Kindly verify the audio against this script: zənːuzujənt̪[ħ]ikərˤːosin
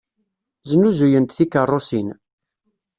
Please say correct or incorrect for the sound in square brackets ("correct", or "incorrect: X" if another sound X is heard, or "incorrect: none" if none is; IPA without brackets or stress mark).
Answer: incorrect: θ